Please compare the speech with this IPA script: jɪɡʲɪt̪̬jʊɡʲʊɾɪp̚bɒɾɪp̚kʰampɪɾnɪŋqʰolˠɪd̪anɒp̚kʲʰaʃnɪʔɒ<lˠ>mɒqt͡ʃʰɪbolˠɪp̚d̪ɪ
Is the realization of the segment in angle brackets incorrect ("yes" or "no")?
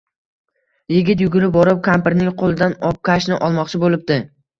no